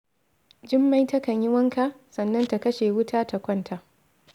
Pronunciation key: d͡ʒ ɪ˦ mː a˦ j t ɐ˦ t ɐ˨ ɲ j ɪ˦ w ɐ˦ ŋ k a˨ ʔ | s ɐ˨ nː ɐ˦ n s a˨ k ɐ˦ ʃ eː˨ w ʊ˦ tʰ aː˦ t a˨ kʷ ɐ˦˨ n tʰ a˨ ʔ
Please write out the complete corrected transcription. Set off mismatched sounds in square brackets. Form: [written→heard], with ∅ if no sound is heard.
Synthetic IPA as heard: d͡ʒ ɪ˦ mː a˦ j t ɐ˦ [t→k] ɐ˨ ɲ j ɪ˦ w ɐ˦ ŋ k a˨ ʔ | s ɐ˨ nː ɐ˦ n [s→t] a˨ k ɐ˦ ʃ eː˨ w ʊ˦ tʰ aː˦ t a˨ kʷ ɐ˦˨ n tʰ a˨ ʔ

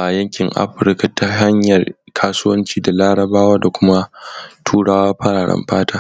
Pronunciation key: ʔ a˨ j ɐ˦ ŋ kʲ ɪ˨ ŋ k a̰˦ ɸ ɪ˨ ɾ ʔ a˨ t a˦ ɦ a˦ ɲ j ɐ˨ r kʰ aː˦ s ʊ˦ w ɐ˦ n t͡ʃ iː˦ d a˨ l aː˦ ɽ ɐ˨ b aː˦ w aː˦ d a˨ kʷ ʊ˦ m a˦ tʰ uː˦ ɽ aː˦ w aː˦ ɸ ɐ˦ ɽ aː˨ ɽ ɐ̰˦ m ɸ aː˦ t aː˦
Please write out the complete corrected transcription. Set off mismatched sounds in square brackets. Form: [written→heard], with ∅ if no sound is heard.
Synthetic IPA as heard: ʔ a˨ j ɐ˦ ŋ kʲ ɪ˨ ŋ [k→ʔ] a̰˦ ɸ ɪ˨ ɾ [ʔ→k] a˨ t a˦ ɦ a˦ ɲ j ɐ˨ r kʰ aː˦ s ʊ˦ w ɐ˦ n t͡ʃ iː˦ d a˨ l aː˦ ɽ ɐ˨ b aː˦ w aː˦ d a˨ kʷ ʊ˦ m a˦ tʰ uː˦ ɽ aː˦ w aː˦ ɸ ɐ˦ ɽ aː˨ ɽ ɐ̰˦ m ɸ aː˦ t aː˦

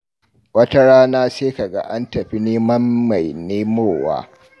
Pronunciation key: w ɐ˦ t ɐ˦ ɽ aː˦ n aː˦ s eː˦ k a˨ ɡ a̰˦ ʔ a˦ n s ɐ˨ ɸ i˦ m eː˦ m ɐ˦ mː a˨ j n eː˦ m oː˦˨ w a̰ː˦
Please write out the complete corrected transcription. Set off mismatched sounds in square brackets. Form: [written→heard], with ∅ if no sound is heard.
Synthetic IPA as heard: w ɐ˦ t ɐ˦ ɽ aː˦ n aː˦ s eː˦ k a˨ ɡ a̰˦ ʔ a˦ n [s→t] ɐ˨ ɸ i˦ [m→n] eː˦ m ɐ˦ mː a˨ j n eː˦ m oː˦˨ w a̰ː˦

